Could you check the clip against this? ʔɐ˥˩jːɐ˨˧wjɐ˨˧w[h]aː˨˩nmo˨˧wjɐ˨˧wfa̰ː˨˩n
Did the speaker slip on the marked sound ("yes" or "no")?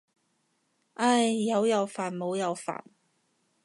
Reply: yes